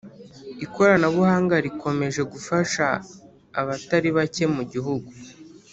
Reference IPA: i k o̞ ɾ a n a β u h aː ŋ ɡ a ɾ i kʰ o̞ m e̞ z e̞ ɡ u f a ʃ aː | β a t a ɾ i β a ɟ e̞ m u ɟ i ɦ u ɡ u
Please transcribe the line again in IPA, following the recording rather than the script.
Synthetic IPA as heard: i k o̞ ɾ a n a β u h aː ŋ ɡ a ɾ i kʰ o̞ m e̞ ʒ e̞ ɡ u f a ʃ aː | β a t a ɾ i β a c e̞ m u ɟ i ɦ u ɡ u